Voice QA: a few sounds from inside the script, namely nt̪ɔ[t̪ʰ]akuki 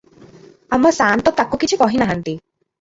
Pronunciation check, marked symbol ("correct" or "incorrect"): incorrect